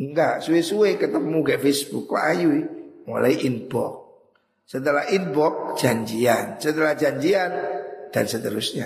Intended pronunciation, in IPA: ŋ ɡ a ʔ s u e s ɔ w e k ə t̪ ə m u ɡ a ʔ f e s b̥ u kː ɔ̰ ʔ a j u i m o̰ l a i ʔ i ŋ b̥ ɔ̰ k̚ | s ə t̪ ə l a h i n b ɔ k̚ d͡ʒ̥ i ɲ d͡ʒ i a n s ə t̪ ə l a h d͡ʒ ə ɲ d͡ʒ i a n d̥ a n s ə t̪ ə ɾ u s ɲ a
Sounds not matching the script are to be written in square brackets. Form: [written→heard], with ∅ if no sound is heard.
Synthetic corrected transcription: ŋ ɡ a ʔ s u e s [ɔ→u] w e k ə t̪ ə m u ɡ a ʔ f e s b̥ u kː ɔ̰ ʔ a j u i m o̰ l a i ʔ i [ŋ→n] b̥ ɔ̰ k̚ | s ə t̪ ə l a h i n b ɔ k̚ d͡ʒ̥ [i→a] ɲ d͡ʒ i a n s ə t̪ ə l a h d͡ʒ [ə→a] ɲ d͡ʒ i a n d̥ a n s ə t̪ ə ɾ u s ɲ a